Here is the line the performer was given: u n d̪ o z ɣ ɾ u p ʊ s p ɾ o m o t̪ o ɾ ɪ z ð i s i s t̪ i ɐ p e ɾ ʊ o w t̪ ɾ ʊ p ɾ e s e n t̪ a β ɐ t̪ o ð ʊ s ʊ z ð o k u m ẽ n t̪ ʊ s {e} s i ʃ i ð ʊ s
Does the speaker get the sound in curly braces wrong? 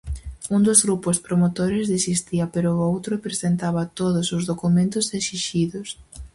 no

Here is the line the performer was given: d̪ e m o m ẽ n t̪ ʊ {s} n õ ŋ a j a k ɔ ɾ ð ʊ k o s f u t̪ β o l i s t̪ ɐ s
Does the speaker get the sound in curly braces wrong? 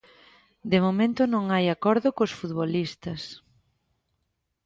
yes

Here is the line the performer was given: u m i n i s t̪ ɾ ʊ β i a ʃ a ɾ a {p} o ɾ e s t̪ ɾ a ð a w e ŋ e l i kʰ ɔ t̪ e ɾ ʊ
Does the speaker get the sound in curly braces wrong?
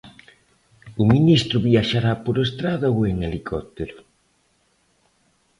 no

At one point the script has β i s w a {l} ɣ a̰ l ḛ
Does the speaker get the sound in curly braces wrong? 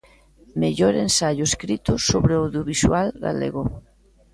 no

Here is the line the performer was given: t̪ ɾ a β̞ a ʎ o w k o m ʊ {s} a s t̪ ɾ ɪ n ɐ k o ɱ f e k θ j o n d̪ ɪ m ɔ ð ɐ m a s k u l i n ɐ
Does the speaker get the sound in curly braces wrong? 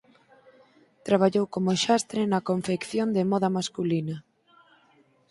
yes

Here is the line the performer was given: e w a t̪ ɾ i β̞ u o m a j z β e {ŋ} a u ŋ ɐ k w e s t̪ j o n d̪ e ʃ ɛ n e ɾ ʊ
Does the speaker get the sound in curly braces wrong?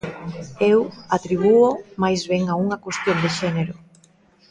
no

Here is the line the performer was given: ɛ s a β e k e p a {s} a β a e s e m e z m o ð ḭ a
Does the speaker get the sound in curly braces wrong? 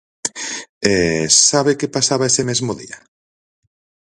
no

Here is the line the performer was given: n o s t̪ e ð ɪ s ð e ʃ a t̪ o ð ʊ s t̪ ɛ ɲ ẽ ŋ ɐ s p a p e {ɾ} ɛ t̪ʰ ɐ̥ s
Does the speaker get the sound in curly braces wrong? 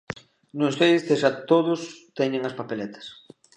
yes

